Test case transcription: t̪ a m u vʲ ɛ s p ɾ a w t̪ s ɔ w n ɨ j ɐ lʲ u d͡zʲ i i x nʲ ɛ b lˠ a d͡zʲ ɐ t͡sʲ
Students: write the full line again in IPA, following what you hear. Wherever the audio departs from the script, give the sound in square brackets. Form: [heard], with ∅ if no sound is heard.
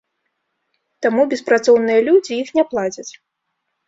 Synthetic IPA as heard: t̪ a m u [bʲ] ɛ s p ɾ a [∅] t̪ s ɔ w n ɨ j ɐ lʲ u d͡zʲ i i x nʲ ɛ [p] lˠ a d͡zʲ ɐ t͡sʲ